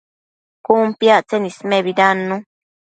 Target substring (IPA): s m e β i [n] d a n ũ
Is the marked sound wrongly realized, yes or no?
yes